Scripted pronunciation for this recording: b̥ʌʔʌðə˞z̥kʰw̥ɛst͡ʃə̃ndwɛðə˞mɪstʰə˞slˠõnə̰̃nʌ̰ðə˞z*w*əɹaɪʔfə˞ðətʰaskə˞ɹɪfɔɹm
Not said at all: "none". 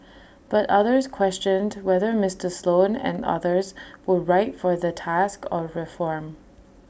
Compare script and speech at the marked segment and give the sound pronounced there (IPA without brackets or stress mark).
w